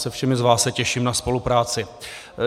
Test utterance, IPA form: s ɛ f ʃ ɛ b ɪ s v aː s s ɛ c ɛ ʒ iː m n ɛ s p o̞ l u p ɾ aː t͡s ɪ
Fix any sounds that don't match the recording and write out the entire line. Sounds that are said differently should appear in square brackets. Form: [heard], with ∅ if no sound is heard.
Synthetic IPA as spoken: s ɛ f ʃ ɛ [m] ɪ [z] v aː s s ɛ c ɛ [ʃ] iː m n [a] s p o̞ l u p ɾ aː t͡s ɪ